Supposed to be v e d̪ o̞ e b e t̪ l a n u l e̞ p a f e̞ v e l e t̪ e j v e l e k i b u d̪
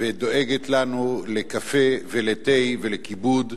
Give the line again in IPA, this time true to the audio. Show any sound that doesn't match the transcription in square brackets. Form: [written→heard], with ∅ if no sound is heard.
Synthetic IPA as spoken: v e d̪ o̞ e [b→ɡ] e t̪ l a n u l e̞ [p→k] a f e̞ v e l e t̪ e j v e l e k i b u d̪